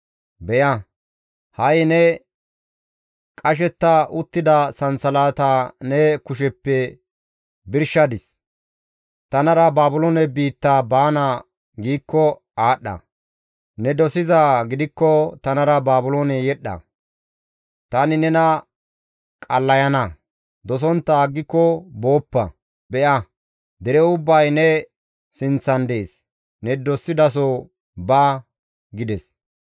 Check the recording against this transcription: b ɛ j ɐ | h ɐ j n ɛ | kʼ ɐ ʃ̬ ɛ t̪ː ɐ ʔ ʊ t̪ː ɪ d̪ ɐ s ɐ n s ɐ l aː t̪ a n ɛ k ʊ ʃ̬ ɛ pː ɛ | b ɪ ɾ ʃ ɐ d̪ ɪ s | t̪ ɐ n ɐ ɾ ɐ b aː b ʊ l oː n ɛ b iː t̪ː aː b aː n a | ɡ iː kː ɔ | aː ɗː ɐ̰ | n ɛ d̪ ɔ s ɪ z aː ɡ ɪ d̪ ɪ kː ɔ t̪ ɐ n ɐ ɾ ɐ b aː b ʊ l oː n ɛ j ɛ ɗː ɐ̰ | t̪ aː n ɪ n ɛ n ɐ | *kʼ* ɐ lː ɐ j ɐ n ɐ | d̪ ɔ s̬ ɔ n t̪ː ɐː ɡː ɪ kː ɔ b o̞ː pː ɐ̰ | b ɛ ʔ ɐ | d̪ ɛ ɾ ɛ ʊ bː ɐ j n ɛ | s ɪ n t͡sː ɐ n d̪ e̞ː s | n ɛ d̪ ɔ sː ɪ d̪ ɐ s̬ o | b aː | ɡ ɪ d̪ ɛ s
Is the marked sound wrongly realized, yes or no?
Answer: no